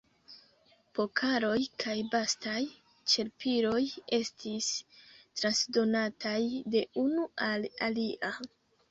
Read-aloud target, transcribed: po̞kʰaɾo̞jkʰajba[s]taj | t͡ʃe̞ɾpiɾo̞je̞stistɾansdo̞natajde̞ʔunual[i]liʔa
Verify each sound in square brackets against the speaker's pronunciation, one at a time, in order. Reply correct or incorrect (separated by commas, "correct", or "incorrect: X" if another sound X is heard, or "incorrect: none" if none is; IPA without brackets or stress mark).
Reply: correct, incorrect: a